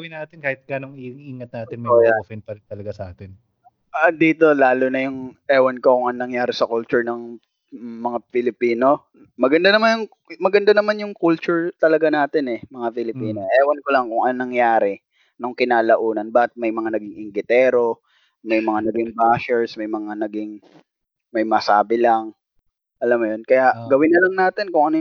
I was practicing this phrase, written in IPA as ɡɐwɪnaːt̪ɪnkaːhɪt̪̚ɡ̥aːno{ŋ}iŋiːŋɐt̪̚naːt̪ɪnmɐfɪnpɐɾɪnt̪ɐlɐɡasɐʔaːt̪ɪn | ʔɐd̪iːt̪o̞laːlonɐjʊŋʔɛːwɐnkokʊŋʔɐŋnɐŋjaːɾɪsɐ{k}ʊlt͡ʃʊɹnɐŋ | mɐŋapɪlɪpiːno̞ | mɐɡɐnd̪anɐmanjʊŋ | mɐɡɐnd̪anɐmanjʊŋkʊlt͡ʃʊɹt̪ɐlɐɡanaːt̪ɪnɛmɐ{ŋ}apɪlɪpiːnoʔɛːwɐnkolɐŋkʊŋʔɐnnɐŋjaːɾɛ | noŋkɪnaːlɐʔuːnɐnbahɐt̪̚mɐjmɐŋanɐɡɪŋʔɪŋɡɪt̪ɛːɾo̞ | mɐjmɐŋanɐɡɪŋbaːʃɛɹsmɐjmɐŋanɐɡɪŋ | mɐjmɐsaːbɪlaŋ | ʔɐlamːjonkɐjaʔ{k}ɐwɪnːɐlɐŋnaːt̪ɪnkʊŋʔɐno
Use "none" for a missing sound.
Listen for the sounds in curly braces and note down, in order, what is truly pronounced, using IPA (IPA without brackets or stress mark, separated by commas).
ŋ, k, ŋ, ɡ